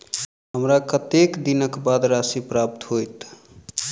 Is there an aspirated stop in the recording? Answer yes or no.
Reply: no